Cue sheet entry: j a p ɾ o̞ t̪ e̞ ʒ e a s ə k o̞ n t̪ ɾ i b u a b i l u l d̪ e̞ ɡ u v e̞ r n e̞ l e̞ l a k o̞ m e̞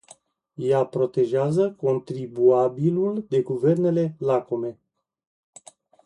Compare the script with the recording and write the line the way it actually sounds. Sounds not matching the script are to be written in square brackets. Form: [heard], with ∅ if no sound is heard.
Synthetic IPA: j a p ɾ o̞ t̪ e̞ ʒ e a [z] ə k o̞ n t̪ ɾ i b u a b i l u l d̪ e̞ ɡ u v e̞ r n e̞ l e̞ l a k o̞ m e̞